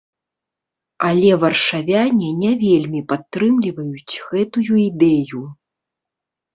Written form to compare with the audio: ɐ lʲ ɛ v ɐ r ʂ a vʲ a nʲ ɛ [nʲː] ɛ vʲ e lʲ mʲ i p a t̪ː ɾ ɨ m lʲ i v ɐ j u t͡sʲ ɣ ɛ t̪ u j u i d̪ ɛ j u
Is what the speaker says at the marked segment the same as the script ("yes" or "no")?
no